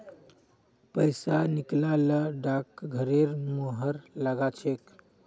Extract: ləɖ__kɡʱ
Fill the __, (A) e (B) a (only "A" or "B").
B